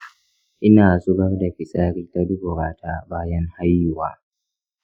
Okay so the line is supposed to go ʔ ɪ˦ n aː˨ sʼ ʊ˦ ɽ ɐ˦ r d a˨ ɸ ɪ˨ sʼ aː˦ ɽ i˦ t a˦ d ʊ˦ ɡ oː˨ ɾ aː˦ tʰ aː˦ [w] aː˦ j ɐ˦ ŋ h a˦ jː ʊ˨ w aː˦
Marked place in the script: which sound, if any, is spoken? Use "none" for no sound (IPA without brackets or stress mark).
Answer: b